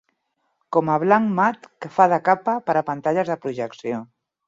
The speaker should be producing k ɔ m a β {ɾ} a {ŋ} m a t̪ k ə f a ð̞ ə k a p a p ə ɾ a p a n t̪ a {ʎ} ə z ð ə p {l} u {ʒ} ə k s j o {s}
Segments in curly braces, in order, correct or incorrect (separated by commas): incorrect, correct, correct, incorrect, correct, incorrect